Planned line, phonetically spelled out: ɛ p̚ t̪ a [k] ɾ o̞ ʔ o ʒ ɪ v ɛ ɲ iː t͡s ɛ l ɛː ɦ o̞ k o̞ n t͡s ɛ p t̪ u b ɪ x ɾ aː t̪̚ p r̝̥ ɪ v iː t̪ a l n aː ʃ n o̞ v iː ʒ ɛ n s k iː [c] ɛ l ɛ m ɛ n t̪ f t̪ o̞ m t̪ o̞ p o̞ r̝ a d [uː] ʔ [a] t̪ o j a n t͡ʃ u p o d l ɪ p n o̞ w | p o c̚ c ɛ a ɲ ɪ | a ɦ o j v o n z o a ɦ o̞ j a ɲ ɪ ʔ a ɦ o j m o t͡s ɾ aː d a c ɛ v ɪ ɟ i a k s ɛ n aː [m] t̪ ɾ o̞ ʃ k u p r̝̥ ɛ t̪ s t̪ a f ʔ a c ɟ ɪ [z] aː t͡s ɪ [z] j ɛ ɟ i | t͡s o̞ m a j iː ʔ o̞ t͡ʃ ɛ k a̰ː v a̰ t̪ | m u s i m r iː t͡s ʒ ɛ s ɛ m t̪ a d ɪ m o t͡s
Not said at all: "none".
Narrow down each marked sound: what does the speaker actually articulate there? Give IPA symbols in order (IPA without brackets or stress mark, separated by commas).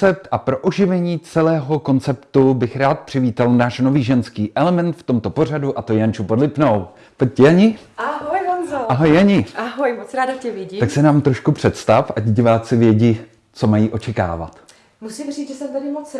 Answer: p, ʔ, u, a, m, v, v